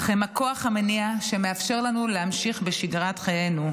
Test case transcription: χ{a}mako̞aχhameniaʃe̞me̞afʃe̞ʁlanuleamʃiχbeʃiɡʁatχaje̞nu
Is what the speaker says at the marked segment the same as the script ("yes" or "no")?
no